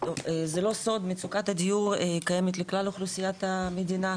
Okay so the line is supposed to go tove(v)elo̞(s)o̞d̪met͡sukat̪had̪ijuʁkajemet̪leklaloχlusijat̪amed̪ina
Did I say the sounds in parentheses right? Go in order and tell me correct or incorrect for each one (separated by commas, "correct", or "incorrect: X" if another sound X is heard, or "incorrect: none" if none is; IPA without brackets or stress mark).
incorrect: z, correct